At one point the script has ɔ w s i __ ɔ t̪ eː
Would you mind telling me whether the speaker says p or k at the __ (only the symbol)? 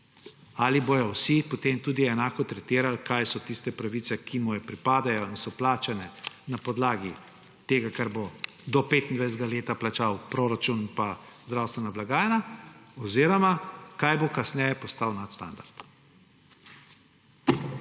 p